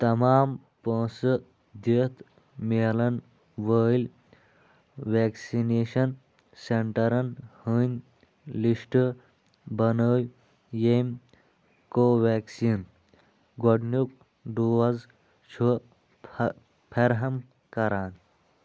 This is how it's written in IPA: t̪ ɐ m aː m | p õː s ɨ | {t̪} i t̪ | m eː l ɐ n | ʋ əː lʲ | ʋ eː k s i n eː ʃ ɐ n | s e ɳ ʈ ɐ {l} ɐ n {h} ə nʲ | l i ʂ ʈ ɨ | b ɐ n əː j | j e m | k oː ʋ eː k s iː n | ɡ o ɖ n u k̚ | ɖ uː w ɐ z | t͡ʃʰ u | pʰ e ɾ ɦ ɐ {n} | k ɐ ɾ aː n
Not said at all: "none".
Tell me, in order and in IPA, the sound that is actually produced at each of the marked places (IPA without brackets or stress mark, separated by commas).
d̪, ɾ, h, m